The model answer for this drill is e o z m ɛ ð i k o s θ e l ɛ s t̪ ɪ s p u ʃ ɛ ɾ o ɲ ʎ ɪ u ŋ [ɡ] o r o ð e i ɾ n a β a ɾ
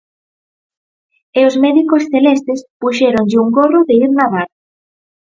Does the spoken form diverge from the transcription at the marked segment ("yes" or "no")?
no